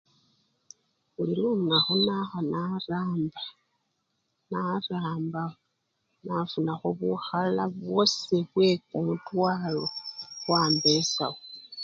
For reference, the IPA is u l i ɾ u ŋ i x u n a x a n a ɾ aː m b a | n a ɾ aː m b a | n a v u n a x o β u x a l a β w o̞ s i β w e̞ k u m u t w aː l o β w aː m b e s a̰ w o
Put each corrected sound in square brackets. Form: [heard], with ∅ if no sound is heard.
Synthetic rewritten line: u l i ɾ u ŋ [a] x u n a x a n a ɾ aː m b a | n a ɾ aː m b a | n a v u n a x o β u x a l a β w o̞ s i β w e̞ k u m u t w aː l o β w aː m b e s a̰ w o